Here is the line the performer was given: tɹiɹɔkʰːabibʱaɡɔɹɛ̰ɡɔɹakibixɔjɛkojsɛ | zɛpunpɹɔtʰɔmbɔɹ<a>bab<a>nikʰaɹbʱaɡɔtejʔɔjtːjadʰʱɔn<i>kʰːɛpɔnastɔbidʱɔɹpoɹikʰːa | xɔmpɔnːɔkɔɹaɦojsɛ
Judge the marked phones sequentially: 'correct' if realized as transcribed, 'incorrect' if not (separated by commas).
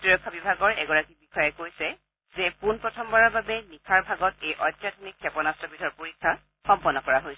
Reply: correct, incorrect, correct